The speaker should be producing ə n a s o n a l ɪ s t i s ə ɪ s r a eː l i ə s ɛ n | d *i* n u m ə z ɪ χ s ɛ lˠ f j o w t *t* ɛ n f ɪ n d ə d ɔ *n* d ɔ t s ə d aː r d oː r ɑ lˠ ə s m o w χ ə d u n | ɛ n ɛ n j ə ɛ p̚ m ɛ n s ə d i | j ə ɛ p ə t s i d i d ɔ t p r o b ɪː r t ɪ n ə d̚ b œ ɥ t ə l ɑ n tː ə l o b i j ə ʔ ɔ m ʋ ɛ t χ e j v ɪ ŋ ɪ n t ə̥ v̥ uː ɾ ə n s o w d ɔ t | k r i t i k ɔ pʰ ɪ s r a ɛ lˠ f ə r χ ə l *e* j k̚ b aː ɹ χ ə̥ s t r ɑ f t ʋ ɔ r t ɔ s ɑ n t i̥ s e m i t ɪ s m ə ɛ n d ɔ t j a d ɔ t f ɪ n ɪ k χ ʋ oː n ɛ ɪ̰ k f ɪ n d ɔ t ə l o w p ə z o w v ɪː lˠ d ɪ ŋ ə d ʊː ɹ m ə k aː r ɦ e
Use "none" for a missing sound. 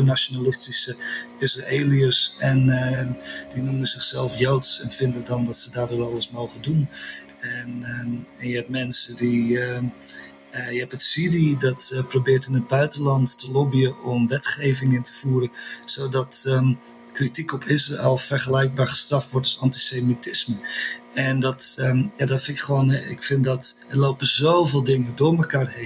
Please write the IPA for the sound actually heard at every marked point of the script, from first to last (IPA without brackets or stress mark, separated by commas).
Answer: i, s, n, ɛ